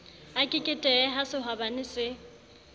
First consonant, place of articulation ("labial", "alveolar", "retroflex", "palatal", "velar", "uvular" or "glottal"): velar